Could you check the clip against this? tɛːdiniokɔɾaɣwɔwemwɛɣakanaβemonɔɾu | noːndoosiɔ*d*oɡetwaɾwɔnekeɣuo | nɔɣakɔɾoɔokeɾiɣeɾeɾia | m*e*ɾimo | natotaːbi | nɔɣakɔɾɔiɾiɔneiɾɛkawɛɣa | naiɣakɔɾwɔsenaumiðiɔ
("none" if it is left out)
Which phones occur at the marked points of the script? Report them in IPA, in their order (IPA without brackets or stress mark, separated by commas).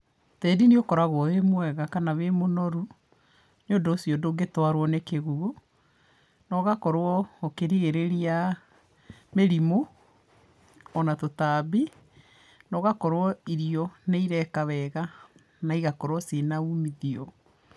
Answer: d, e